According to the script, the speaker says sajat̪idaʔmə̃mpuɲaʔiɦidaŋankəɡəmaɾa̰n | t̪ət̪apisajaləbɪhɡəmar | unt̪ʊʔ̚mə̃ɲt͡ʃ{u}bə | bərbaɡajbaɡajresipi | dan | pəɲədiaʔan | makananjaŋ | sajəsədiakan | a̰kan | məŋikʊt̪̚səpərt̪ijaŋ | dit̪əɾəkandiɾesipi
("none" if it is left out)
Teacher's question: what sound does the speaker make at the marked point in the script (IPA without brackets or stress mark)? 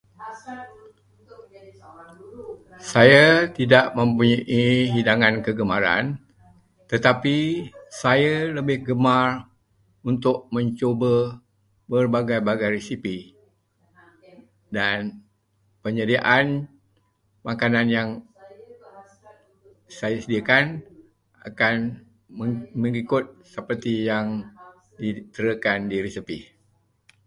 o